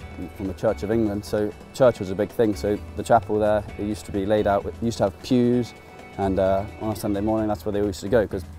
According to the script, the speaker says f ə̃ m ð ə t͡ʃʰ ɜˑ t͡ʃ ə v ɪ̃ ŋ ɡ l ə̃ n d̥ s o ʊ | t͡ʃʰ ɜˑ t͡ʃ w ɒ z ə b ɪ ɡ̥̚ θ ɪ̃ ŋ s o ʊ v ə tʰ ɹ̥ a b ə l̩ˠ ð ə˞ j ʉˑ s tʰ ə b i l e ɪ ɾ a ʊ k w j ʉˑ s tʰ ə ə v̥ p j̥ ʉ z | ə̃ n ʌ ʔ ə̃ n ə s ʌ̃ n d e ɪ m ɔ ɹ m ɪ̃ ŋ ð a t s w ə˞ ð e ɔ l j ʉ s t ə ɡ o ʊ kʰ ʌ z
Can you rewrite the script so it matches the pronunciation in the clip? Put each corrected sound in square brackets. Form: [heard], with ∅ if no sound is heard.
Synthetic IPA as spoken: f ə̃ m ð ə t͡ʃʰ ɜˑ t͡ʃ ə v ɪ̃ ŋ ɡ l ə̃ n d̥ s o ʊ | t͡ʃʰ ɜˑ t͡ʃ w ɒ z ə b ɪ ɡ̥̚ θ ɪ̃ ŋ s o ʊ [ð] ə tʰ ɹ̥ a [p] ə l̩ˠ ð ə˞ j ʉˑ s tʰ ə b i l e ɪ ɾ a ʊ [ʔ] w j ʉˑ s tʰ ə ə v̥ [pʰ] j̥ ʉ z | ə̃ n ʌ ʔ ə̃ n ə s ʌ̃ n d e ɪ m ɔ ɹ [n] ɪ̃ ŋ ð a t s w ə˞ ð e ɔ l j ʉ s t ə ɡ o ʊ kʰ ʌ z